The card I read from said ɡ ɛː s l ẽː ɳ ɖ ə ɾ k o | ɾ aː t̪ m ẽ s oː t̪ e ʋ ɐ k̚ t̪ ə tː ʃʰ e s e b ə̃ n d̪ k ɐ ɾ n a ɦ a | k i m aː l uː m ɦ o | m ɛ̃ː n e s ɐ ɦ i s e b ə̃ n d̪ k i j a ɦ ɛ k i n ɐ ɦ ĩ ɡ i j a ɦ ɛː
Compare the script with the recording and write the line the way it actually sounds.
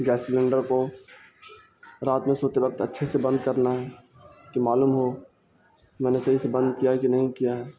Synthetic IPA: ɡ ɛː s l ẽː ɳ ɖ ə ɾ k o | ɾ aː t̪ m ẽ s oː t̪ e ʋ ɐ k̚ t̪ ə tː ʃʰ e s e b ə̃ n d̪ k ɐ ɾ n a ɦ ɛ | k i m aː l uː m ɦ o | m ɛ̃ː n e s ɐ ɦ i s e b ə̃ n d̪ k i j a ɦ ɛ k i n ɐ ɦ ĩ k i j a ɦ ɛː